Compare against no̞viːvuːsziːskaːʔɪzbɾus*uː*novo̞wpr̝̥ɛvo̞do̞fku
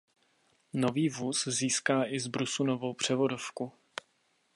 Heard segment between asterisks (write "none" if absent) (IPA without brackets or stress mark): u